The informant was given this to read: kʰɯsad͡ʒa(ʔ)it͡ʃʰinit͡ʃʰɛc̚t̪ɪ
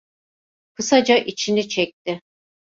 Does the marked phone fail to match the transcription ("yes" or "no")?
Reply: no